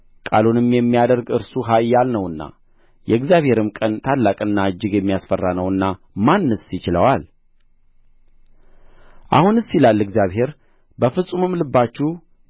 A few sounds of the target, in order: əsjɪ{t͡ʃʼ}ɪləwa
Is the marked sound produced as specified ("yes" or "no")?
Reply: no